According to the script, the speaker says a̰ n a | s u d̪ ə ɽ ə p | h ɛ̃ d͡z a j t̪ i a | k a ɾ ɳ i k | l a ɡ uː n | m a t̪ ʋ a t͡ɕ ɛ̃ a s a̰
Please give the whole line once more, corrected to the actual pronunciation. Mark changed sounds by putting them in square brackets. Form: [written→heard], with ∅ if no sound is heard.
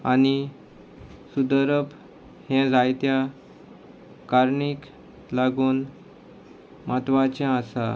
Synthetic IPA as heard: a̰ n [a→i] | s u d̪ ə [ɽ→ɾ] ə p | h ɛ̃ d͡z a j t̪ [i→j] a | k a ɾ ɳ i k | l a ɡ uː n | m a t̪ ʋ a t͡ɕ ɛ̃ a s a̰